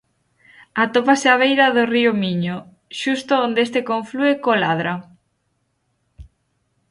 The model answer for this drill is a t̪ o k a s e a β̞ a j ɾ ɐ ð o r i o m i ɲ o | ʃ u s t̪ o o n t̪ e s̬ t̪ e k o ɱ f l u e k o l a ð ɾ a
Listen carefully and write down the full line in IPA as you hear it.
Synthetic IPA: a t̪ o p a s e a β̞ e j ɾ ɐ ð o r i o m i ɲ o | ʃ u s t̪ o o n d̪ e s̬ t̪ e k o ɱ f l u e k o l a ð ɾ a